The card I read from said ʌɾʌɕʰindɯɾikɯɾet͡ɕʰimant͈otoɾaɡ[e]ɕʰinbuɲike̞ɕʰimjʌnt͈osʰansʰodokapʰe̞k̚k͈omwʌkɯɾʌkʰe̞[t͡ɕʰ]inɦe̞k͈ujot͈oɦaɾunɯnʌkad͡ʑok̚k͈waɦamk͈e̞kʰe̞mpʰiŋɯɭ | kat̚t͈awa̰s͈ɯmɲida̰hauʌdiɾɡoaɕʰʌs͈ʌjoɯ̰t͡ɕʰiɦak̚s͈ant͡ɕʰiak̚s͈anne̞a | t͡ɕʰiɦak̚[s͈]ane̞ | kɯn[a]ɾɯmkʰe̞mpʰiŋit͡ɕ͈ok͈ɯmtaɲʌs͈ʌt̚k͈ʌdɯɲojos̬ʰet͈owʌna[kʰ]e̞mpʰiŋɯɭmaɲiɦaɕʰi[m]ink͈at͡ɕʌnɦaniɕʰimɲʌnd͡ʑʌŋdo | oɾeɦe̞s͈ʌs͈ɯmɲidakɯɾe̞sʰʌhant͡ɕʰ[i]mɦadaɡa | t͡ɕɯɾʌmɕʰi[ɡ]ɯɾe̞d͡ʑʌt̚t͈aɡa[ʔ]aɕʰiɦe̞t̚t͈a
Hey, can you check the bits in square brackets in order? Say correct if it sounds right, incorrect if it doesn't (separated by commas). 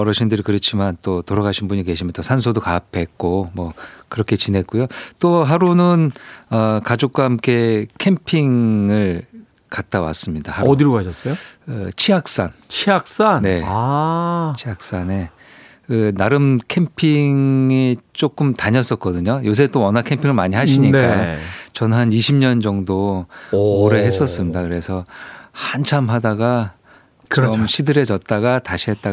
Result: incorrect, incorrect, correct, correct, correct, incorrect, incorrect, incorrect, incorrect